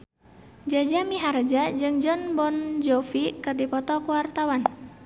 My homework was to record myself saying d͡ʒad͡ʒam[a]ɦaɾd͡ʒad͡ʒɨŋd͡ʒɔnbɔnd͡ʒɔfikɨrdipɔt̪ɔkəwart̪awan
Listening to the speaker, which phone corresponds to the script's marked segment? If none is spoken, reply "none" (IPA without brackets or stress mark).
i